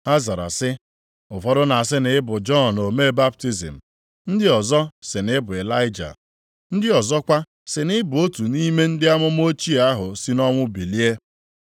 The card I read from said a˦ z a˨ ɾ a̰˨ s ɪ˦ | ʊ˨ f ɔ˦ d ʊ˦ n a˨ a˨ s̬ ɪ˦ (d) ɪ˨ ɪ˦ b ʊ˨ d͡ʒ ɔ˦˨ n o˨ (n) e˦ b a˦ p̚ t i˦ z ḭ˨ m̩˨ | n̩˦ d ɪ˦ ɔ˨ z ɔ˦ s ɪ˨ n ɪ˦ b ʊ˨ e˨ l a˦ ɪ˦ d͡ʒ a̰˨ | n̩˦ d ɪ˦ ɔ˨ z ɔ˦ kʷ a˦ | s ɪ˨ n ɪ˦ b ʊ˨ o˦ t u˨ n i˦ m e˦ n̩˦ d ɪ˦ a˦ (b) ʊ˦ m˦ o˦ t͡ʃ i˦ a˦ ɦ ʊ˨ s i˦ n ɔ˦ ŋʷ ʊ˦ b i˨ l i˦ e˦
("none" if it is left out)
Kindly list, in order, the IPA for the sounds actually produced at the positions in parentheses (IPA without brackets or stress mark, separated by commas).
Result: n, m, m